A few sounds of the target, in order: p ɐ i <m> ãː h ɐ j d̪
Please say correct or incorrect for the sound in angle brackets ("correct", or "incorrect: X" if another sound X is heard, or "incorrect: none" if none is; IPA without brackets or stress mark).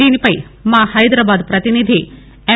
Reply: correct